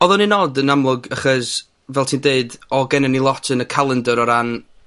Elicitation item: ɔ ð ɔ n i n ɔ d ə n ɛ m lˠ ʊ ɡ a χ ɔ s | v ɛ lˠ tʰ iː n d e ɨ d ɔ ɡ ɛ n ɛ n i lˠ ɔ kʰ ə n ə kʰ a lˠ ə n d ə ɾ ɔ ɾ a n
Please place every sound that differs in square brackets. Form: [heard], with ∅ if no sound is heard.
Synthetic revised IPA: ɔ ð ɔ n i n ɔ d ə n [a] m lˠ ʊ ɡ a χ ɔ s | v ɛ lˠ tʰ iː n d e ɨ d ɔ ɡ ɛ n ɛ n i lˠ ɔ [tʰ] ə n ə kʰ a lˠ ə n d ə ɾ ɔ ɾ a n